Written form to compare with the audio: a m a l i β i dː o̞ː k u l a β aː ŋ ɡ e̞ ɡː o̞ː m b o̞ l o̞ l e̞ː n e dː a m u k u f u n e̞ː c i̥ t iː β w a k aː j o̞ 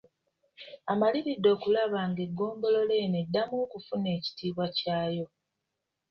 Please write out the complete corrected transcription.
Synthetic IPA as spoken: a m a l i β i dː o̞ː k u l a β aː ŋ ɡ e̞ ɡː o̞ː m b o̞ l o̞ l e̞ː n e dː a m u k u f u n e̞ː c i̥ t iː β w a c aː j o̞